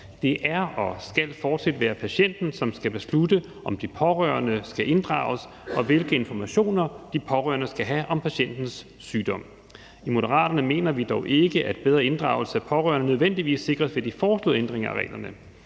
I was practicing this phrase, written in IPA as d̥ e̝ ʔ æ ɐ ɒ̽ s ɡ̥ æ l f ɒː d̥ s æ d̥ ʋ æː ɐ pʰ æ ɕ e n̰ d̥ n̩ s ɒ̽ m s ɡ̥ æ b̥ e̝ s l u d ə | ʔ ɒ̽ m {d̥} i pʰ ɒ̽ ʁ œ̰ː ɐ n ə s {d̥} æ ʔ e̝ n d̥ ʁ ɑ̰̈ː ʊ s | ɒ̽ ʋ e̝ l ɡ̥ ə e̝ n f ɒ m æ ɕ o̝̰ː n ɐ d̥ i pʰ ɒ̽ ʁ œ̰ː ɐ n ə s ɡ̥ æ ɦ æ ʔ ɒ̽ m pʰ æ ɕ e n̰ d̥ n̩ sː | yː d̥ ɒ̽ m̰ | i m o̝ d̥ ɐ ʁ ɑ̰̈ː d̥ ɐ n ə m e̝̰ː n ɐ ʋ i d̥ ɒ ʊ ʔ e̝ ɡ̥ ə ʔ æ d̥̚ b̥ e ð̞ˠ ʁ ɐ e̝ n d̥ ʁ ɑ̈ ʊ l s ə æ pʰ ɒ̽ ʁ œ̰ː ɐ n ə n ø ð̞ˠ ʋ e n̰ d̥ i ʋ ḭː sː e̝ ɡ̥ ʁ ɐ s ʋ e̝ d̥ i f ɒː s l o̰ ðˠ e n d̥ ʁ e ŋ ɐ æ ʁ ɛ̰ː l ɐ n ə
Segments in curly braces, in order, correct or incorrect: correct, incorrect: ɡ̥

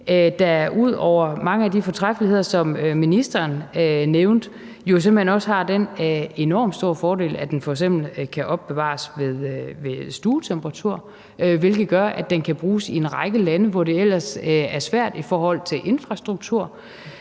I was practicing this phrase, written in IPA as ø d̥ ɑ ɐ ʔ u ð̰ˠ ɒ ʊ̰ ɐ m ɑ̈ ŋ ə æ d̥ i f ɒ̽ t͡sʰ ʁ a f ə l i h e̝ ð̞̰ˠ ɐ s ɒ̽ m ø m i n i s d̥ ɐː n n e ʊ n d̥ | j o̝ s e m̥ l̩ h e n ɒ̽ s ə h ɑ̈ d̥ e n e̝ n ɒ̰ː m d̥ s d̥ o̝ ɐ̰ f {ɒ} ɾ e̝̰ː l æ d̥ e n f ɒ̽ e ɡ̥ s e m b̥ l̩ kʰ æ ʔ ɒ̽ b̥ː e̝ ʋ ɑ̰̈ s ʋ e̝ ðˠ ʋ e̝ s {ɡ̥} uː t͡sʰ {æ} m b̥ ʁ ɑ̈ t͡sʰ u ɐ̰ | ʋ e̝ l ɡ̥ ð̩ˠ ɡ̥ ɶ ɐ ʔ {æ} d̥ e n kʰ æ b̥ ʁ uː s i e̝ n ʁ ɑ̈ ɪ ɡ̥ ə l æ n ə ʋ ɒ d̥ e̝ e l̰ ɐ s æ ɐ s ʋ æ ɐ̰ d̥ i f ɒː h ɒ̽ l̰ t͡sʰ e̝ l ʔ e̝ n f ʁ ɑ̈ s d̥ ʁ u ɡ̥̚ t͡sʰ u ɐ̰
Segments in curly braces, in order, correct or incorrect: incorrect: ɒː, incorrect: d̥, incorrect: e, correct

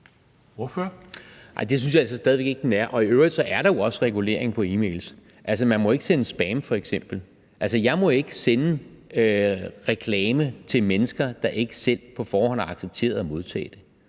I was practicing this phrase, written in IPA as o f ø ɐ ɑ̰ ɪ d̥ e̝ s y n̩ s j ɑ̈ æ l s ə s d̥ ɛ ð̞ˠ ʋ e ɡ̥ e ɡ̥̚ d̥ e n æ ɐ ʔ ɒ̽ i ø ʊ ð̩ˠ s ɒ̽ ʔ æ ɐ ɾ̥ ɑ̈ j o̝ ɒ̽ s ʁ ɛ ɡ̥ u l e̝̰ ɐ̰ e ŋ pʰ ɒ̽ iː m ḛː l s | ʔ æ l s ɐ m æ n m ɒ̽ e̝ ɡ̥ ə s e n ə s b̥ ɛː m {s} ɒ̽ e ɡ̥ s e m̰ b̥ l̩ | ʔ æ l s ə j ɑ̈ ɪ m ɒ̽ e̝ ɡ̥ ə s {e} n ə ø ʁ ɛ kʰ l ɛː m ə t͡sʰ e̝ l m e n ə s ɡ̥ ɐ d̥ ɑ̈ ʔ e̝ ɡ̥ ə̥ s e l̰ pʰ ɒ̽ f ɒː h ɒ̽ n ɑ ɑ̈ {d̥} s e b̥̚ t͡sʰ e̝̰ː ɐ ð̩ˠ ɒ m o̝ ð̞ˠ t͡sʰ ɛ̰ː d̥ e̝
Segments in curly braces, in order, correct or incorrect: incorrect: f, correct, incorrect: ɡ̥

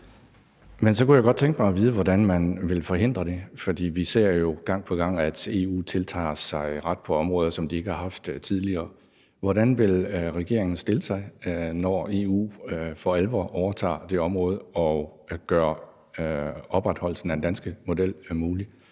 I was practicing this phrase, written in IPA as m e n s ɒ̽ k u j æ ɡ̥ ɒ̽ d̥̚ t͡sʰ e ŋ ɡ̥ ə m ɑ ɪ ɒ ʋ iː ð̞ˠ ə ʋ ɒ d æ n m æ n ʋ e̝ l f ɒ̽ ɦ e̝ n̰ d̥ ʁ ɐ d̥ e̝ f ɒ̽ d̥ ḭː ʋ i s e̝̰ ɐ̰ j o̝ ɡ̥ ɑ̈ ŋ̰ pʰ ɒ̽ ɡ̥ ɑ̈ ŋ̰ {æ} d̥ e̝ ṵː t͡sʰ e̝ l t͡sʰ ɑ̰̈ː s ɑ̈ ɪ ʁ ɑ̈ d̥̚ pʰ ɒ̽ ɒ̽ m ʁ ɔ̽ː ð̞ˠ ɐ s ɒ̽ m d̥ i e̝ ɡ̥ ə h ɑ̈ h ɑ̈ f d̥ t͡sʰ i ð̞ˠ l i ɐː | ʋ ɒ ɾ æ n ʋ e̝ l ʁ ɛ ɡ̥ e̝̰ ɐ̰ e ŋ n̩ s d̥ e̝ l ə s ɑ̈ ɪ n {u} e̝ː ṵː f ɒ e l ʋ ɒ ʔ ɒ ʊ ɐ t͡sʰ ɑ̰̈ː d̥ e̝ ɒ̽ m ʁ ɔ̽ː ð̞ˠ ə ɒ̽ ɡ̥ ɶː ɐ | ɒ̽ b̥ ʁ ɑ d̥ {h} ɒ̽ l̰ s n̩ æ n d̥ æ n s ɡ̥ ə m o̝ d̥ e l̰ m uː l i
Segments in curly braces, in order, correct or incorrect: correct, incorrect: ɒ, correct

